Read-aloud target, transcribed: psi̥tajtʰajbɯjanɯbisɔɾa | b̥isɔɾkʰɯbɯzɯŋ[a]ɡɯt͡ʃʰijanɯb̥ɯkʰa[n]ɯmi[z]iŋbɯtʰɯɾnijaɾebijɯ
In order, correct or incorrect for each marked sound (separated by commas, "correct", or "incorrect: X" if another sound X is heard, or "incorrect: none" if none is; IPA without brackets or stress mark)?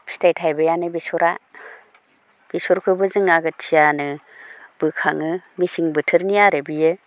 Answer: correct, incorrect: ŋ, incorrect: s